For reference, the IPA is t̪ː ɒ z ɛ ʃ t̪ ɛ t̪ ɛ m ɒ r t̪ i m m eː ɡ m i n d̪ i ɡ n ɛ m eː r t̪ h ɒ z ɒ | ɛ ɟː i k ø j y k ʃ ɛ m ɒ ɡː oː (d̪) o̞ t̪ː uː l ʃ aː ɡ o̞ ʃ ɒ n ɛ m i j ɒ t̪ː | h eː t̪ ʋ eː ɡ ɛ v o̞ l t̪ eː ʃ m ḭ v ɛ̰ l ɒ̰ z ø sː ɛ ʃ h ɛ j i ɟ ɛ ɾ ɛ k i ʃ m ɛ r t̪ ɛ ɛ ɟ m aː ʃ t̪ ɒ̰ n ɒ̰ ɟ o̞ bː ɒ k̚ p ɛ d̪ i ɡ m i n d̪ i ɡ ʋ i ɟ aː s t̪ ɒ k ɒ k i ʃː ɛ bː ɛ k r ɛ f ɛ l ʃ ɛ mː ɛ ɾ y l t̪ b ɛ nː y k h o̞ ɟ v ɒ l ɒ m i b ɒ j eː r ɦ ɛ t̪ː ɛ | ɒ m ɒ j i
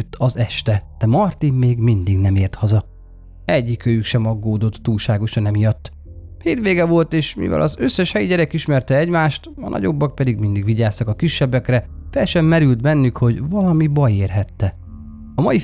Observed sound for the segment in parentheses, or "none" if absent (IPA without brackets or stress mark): d̪